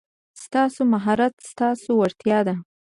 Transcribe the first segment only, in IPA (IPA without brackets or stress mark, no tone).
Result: s